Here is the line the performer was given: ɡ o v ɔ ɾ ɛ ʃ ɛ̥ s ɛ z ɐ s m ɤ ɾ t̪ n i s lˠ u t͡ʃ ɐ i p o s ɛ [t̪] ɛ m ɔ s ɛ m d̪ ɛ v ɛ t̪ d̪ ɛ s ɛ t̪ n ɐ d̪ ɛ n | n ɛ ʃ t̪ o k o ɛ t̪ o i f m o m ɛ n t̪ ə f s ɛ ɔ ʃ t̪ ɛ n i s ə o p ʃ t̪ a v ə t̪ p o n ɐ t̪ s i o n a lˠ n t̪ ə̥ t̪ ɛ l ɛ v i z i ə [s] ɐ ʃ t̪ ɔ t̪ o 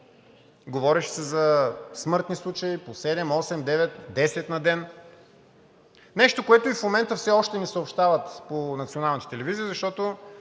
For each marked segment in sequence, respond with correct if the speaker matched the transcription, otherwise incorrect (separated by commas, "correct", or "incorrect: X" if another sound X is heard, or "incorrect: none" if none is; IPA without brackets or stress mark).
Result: incorrect: d̪, incorrect: z